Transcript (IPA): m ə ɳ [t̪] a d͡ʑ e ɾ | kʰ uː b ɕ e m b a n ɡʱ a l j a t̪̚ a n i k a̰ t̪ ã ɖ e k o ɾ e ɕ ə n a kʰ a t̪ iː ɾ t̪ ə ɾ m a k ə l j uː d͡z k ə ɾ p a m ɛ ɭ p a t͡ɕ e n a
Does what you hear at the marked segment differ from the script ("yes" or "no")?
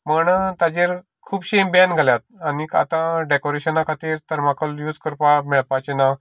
no